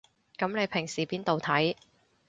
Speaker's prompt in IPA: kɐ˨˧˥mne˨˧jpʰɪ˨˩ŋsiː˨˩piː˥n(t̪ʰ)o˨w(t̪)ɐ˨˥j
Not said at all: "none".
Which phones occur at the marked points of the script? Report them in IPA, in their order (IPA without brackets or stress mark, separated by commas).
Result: t̪, t̪ʰ